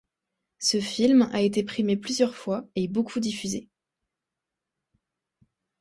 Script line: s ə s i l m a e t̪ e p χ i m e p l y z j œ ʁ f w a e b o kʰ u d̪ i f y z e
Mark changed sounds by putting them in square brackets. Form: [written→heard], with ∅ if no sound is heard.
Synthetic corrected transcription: s ə [s→f] i l m a e t̪ e p χ i m e p l y z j œ ʁ f w a e b o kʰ u d̪ i f y z e